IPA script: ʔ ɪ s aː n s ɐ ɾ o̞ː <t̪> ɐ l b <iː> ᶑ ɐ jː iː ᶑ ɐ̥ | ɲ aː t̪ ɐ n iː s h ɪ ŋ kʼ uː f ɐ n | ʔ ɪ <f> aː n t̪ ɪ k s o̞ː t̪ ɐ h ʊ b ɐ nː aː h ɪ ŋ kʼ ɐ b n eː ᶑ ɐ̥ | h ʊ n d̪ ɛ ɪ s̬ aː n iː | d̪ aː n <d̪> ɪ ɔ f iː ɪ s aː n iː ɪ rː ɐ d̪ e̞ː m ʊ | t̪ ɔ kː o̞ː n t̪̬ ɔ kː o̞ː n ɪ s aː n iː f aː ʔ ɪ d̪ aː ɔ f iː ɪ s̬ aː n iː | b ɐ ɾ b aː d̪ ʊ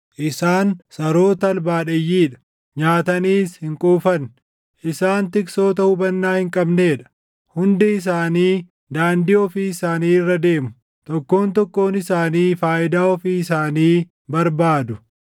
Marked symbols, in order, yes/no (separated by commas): yes, no, no, yes